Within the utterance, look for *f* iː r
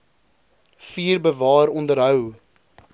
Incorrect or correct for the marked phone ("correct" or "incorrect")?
correct